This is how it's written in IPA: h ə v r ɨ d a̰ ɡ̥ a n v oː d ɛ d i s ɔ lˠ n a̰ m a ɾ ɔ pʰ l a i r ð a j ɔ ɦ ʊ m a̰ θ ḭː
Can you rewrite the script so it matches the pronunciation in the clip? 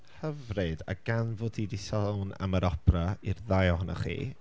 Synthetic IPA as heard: h ə v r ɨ d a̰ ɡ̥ a n v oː d i d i s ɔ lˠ n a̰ m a ɾ ɔ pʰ r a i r ð a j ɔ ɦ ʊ n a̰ χ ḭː